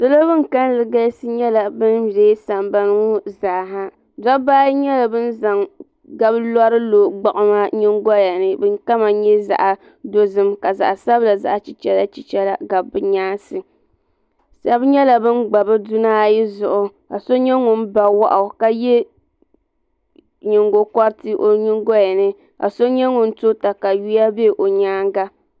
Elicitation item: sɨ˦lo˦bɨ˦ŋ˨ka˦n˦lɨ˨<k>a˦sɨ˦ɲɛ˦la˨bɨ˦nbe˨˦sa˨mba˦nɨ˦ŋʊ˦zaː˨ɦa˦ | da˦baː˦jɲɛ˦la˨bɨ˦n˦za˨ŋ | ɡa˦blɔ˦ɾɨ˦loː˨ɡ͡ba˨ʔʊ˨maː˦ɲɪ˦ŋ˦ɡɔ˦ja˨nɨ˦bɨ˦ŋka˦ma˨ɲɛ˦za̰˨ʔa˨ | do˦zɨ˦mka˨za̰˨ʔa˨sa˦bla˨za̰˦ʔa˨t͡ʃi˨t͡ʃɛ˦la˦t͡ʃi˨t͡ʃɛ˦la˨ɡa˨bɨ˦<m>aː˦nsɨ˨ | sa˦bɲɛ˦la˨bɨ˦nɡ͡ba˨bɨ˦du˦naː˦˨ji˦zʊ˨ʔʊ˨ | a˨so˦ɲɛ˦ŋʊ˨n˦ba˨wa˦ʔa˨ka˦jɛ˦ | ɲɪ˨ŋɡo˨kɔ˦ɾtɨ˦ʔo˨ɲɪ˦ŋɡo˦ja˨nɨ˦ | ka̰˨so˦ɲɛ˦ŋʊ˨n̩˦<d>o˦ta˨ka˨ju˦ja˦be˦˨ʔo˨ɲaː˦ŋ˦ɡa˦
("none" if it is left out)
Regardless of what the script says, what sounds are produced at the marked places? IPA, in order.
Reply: ɡ, ɲ, t

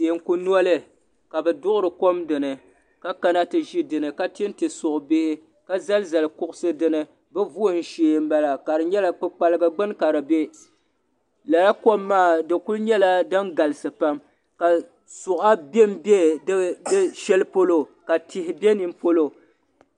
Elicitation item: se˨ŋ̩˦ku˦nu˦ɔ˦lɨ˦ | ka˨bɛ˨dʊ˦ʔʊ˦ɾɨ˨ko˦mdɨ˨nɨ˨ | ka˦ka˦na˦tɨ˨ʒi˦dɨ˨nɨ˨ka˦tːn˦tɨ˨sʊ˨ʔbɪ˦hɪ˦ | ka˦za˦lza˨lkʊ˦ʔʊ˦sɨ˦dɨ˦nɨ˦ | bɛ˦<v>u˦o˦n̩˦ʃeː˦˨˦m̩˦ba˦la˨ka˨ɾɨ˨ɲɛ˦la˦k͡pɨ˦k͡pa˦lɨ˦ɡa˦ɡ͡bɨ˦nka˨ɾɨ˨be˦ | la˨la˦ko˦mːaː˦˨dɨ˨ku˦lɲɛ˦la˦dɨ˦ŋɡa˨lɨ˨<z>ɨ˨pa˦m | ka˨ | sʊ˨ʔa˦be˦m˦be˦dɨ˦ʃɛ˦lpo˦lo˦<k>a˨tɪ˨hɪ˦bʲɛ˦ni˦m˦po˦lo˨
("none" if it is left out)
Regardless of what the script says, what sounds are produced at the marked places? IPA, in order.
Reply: v, s, k

